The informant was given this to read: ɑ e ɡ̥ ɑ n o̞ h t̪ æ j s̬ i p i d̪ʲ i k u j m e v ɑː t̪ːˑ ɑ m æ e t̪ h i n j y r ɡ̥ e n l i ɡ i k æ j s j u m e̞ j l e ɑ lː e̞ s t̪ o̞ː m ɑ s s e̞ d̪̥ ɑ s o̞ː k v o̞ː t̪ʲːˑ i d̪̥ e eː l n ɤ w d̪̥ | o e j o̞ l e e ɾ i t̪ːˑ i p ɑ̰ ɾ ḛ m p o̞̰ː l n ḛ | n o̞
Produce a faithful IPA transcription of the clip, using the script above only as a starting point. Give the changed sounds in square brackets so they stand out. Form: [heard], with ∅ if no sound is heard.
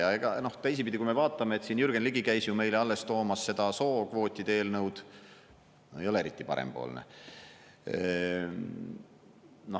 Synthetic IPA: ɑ e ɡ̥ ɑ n o̞ h t̪ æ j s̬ i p i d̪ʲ i k u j m e v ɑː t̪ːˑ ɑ m [e] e t̪ [s] i n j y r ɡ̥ e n l i ɡ i k æ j s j u m e̞ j l e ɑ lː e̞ s t̪ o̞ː m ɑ s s e̞ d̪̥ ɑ s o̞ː k v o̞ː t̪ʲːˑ i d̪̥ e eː l n ɤ w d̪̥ | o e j o̞ l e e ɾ i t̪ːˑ i p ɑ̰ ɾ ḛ m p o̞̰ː l n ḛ | n o̞